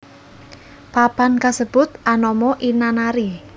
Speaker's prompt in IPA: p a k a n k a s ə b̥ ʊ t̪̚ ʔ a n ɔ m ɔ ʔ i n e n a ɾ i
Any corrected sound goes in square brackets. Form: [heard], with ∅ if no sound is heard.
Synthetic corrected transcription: p a [p] a n k a s ə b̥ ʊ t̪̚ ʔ a n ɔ m ɔ ʔ i n [a] n a ɾ i